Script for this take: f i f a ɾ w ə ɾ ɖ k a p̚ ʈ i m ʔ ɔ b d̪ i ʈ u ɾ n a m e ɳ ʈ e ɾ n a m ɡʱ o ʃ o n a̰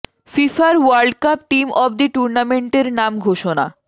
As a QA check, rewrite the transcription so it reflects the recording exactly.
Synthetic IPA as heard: f i f a ɾ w a ɾ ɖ k a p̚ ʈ i m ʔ ɔ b d̪ i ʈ u ɾ n a m e ɳ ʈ e ɾ n a m ɡʱ o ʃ o n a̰